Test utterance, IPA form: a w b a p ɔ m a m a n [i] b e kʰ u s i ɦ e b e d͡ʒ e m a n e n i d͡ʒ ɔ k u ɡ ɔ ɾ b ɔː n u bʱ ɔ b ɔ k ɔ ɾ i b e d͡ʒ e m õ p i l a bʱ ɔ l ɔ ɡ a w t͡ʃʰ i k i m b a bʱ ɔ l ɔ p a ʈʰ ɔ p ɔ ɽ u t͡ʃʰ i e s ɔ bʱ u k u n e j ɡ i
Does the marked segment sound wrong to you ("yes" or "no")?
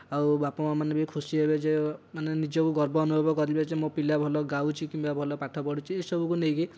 yes